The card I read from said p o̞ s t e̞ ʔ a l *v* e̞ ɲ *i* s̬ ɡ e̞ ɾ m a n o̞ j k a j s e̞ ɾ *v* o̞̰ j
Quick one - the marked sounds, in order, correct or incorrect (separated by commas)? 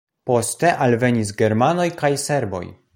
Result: correct, correct, incorrect